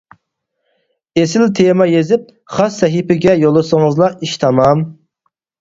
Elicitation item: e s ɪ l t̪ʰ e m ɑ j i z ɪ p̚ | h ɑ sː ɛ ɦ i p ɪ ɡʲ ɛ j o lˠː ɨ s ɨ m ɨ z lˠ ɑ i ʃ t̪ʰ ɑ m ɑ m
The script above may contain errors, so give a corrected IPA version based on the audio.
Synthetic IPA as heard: e s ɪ l t̪ʰ e m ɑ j e z ɪ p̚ | χ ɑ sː ɛ ɦ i p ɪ ɡʲ ɛ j o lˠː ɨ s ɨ ŋ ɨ z lˠ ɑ i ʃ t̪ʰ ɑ m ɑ m